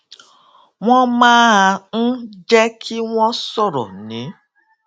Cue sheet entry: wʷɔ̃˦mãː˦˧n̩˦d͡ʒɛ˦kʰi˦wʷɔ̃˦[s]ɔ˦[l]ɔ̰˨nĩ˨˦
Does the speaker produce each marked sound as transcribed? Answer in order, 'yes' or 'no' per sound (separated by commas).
yes, no